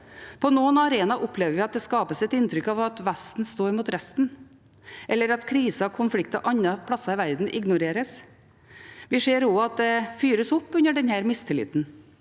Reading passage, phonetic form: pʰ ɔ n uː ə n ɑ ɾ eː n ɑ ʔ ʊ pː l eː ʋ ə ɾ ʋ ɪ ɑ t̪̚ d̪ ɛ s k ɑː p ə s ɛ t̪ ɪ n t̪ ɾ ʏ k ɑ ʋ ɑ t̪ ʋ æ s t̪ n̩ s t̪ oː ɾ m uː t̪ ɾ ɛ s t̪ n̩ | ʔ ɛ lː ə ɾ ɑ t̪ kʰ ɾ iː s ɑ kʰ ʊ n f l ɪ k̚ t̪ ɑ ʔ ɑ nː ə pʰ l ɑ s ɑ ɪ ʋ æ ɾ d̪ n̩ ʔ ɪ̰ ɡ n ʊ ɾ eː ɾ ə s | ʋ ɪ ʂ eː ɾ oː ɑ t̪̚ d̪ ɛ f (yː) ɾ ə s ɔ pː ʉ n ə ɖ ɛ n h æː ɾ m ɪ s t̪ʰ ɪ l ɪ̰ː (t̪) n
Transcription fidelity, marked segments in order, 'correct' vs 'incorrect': correct, correct

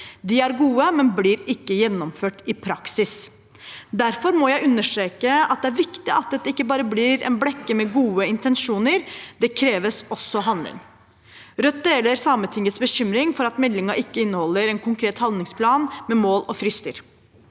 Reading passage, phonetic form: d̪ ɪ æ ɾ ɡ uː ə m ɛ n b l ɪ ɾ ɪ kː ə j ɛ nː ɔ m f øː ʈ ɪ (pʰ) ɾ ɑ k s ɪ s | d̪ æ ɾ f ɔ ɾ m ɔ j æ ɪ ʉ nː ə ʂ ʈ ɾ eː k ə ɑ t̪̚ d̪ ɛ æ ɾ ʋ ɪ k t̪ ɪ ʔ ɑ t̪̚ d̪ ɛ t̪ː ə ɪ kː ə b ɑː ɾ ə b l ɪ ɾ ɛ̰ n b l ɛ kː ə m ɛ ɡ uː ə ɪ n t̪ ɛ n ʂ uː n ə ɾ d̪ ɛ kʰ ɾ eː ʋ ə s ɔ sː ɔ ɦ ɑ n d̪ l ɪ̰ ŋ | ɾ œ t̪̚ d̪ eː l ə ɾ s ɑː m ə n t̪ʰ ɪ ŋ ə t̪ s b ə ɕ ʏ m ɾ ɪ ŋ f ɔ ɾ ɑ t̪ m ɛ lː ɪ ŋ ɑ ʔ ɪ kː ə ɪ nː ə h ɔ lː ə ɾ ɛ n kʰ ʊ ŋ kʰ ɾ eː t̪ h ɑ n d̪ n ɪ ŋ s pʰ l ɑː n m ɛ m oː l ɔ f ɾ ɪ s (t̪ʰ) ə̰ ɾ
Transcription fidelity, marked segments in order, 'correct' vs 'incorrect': correct, incorrect: t̪

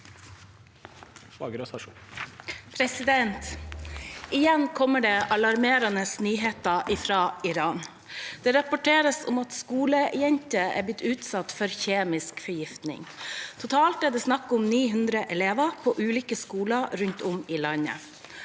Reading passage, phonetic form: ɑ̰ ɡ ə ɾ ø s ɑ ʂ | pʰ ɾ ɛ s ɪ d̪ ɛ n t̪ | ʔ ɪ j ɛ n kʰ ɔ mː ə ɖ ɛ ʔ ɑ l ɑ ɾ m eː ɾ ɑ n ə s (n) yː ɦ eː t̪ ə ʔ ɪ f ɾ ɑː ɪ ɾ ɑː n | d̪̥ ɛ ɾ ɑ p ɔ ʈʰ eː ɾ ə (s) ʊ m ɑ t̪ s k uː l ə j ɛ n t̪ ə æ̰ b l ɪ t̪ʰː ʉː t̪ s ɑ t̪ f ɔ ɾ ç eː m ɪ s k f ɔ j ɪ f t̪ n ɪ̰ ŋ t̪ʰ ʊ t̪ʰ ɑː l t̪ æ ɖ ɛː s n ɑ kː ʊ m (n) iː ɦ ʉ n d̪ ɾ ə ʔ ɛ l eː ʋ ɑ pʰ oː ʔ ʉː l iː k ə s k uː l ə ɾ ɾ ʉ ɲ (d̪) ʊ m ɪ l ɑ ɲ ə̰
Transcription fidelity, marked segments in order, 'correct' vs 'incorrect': correct, correct, correct, incorrect: t̪

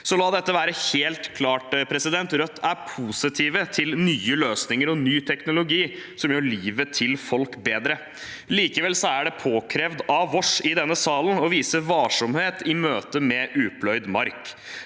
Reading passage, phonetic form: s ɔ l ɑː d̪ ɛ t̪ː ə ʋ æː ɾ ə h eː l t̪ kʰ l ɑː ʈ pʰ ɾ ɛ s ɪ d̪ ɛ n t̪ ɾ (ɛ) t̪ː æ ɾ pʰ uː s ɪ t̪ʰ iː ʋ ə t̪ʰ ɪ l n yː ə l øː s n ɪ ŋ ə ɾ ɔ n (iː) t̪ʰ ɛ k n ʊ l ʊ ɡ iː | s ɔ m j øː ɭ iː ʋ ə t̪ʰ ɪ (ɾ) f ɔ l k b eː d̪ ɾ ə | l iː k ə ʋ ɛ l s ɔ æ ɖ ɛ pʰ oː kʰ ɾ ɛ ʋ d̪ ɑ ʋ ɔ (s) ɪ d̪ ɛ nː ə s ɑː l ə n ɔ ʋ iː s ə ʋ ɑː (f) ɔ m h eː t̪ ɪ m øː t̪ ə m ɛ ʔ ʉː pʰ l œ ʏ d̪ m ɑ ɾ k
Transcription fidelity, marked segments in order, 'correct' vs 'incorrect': incorrect: œ, incorrect: yː, incorrect: l, incorrect: ʂ, incorrect: ʂ

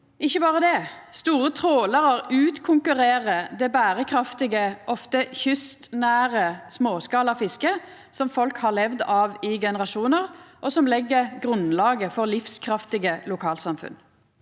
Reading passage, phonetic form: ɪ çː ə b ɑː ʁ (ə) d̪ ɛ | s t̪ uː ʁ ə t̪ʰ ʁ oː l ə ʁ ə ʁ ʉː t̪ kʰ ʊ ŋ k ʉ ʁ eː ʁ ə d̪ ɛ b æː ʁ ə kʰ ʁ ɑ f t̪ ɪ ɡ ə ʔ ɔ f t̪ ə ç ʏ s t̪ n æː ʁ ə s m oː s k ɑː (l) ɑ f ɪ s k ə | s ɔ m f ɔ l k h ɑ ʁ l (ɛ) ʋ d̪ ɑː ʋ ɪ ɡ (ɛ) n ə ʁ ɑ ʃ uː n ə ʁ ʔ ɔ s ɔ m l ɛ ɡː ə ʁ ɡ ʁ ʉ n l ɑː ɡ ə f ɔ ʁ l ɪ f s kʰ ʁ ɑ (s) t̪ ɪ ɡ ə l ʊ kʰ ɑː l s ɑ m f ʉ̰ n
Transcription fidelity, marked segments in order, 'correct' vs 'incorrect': correct, correct, correct, correct, incorrect: f

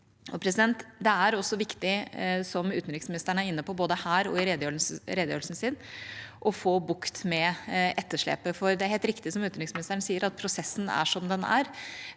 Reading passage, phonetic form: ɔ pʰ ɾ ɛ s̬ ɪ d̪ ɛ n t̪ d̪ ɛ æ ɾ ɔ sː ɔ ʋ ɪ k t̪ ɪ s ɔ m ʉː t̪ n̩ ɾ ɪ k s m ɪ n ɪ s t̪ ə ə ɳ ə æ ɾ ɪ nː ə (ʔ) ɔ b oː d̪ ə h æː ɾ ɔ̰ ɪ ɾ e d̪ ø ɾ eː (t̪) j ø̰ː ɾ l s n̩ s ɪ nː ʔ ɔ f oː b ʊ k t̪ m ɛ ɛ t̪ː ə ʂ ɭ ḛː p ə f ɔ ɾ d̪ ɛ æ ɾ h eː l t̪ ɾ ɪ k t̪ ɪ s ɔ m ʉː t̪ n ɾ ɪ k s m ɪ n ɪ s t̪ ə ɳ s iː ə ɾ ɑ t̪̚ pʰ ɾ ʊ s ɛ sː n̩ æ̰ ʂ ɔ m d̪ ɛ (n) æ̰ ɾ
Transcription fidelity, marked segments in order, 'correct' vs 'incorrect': incorrect: p, incorrect: d̪, correct

